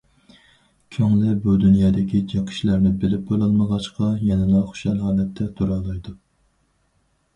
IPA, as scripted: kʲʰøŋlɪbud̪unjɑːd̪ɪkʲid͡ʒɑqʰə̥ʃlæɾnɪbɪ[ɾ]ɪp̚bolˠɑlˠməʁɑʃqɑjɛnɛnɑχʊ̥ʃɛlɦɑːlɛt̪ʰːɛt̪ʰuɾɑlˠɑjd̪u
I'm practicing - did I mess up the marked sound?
yes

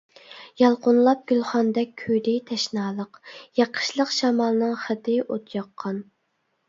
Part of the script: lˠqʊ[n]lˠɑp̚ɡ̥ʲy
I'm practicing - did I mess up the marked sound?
no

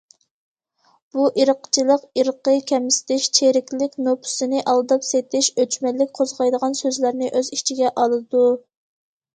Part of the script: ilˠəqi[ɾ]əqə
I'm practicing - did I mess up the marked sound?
no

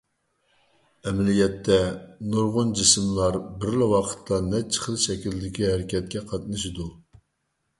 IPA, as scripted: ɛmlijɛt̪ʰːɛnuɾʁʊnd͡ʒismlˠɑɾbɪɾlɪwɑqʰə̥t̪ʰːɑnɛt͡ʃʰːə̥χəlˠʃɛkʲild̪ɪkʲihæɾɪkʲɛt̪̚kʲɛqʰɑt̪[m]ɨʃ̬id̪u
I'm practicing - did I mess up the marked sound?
yes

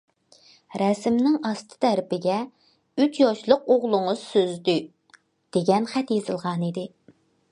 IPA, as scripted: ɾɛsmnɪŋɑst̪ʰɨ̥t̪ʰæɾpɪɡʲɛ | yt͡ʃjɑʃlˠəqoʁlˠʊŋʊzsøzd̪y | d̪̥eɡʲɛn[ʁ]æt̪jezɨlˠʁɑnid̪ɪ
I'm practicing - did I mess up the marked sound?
yes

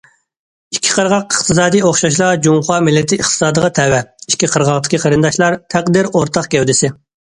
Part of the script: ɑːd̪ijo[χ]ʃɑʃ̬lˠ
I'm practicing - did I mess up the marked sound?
no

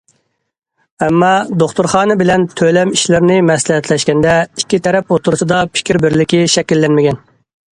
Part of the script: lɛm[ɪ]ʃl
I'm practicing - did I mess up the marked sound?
yes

